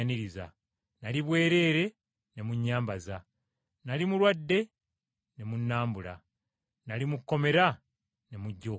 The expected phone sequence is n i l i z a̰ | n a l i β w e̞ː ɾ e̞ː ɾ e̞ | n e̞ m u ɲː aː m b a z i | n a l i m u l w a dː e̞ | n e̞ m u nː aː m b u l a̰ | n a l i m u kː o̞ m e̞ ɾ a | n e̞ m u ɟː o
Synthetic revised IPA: n i ɾ i z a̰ | n a l i β w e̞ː ɾ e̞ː ɾ e̞ | n e̞ m u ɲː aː m b a z a | n a l i m u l w a dː e̞ | n e̞ m u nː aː m b u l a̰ | n a l i m u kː o̞ m e̞ ɾ a | n e̞ m u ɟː o